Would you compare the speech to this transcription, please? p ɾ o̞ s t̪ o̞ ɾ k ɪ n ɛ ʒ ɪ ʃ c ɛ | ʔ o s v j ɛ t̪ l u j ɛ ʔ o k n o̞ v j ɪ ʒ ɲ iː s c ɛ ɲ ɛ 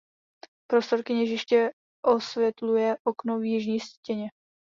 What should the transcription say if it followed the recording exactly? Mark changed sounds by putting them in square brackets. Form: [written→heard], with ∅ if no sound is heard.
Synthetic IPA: p ɾ o̞ s t̪ o̞ ɾ k ɪ [n→ɲ] ɛ ʒ ɪ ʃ c ɛ | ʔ o s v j ɛ t̪ l u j ɛ ʔ o k n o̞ v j ɪ ʒ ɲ iː s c ɛ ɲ ɛ